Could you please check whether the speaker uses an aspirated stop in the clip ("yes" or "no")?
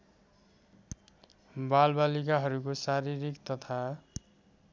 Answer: yes